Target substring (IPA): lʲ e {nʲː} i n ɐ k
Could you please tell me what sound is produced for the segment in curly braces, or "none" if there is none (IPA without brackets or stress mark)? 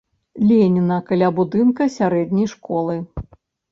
nʲ